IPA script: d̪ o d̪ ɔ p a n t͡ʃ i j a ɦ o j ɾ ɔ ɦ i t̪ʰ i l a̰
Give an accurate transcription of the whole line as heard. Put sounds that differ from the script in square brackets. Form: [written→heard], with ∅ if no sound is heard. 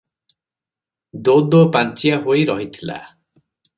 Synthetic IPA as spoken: d̪ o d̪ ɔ p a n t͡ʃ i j a ɦ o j ɾ ɔ ɦ i t̪ʰ i l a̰